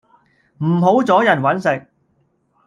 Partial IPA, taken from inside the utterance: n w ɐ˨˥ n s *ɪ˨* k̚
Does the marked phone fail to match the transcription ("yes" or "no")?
no